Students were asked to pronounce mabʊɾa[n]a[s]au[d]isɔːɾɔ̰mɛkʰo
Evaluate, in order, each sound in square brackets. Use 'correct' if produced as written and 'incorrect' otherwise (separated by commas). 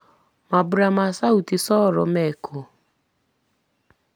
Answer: incorrect, correct, incorrect